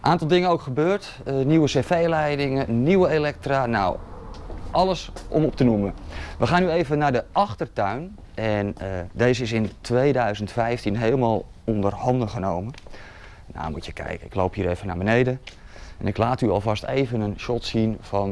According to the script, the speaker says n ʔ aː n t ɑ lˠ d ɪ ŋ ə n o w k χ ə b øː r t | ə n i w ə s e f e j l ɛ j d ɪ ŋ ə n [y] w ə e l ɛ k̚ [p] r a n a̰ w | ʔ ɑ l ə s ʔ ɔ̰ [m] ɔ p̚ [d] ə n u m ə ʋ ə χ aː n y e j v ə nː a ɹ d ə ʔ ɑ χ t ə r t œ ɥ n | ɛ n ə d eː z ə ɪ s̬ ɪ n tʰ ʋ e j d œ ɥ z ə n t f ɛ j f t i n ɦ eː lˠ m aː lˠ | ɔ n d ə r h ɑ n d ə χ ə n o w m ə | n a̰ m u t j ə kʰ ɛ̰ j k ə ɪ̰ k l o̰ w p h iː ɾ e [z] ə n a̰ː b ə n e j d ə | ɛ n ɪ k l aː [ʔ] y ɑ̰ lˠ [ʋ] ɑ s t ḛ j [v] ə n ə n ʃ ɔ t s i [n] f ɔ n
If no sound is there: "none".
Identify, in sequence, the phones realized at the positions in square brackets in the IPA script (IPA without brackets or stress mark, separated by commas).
i, t, m, t, v, t, v, v, n